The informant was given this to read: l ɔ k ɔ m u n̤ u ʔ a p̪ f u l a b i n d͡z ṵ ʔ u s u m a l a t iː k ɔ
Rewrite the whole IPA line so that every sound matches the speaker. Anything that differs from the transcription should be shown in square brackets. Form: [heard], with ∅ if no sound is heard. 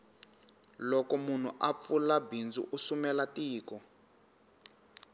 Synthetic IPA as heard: l ɔ k ɔ m u n̤ u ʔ a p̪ f u l a b i n d͡z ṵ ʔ u s u m [ɛ] l a t iː k ɔ